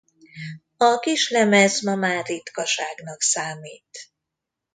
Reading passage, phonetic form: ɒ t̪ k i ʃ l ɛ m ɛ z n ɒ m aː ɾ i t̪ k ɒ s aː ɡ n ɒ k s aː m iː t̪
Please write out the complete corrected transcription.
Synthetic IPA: ɒ k i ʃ l ɛ m ɛ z m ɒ m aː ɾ i t̪ k ɒ ʃ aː ɡ n ɒ k s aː m iː t̪